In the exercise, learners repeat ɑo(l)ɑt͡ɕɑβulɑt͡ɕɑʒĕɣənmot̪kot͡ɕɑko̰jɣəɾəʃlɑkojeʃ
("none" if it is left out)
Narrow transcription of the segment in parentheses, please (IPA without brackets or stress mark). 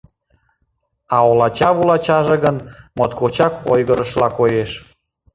l